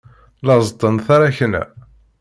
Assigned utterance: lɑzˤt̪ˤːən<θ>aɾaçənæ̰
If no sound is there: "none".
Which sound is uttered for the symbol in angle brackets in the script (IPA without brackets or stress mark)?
θ